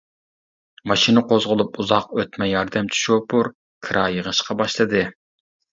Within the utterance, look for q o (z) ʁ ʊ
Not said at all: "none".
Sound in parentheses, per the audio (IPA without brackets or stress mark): z